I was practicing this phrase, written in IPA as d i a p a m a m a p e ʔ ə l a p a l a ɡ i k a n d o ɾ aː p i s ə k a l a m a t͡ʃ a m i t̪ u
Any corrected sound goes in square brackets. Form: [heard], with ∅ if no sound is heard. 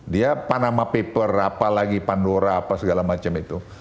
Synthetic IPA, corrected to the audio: d i a p a [n] a m a p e [p] ə [r] a p a l a ɡ i [p] a n d o ɾ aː p [a] s ə [ɡ] a l a m a t͡ʃ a m i t̪ u